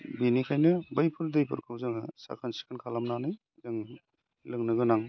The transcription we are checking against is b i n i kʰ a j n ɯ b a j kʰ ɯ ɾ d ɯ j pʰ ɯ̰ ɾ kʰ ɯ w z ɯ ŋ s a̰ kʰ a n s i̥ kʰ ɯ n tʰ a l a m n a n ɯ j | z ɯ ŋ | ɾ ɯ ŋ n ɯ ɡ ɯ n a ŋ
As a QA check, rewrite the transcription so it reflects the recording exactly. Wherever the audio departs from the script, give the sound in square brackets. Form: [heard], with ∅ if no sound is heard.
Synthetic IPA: b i n i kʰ a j n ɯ b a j [pʰ] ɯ ɾ d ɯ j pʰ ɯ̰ ɾ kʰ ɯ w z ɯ ŋ s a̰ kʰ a n s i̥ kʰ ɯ n [kʰ] a l a m n a n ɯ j | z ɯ ŋ | [l] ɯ ŋ n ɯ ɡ ɯ n a ŋ